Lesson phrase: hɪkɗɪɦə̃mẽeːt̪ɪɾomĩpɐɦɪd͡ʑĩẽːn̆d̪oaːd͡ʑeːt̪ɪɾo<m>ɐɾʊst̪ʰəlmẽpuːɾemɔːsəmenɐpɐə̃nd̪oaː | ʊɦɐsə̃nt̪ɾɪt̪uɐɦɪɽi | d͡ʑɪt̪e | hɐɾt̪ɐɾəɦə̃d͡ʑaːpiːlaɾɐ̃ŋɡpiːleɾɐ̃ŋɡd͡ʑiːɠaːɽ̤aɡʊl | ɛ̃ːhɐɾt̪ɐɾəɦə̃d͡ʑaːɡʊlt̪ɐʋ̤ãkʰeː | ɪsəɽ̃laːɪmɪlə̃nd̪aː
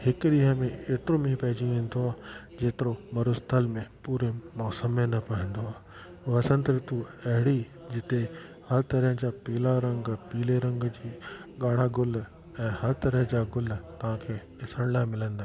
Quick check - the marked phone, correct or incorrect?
correct